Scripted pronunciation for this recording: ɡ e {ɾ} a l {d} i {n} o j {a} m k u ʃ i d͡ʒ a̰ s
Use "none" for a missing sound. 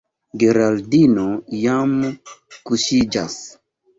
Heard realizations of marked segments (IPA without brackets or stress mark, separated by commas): ɾ, d, n, a